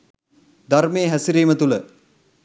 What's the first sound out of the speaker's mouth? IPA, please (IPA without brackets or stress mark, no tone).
d̪